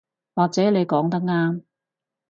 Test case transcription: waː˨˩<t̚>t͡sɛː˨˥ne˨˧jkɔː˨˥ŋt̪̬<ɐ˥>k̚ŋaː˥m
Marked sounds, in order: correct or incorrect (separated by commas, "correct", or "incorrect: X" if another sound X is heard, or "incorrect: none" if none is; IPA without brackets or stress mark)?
incorrect: k̚, correct